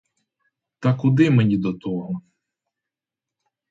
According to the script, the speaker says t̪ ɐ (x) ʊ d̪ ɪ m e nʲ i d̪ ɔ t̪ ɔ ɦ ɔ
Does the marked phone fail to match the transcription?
yes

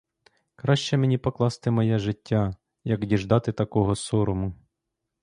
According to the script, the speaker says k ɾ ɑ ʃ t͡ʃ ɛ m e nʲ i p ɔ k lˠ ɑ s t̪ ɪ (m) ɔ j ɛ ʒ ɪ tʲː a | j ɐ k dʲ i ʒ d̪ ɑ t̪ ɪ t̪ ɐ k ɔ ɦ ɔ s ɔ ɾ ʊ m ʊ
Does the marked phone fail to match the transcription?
no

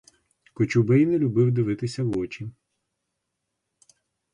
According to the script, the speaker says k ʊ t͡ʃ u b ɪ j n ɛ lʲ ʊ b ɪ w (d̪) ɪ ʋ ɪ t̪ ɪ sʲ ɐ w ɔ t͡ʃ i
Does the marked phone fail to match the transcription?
no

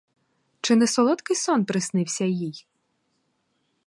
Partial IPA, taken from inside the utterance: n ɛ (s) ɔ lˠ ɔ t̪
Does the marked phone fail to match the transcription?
no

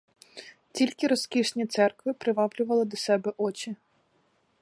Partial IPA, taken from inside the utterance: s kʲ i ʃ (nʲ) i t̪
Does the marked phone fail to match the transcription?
no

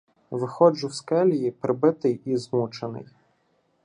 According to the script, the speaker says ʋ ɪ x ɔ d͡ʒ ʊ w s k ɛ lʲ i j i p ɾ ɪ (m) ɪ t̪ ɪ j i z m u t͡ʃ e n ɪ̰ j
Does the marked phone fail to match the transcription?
yes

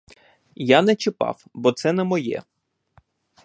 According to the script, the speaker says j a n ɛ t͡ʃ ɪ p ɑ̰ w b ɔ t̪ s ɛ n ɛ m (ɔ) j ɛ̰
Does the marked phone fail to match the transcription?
no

